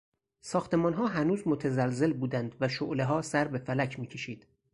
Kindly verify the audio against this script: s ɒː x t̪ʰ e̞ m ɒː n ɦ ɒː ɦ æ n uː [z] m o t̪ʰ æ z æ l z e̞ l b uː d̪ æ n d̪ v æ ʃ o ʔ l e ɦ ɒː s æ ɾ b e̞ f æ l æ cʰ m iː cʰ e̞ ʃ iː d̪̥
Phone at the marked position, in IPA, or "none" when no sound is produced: z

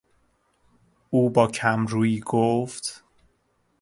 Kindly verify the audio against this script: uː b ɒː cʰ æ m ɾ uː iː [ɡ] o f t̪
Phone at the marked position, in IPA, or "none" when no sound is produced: ɡ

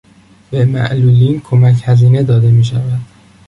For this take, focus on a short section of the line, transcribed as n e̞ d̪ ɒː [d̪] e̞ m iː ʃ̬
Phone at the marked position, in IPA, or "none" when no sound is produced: d̪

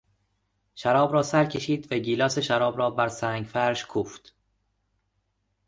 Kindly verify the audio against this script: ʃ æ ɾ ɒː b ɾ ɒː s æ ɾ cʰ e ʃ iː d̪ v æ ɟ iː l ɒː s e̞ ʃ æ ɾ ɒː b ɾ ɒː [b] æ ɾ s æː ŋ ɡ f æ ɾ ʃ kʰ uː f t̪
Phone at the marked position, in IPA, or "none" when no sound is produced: b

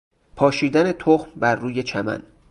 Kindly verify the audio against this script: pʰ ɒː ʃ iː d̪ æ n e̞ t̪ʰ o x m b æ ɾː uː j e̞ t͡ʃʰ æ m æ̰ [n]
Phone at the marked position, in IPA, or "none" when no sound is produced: n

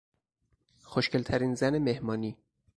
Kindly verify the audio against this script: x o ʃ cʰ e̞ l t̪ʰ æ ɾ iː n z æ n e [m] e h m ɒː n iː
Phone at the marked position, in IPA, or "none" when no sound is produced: m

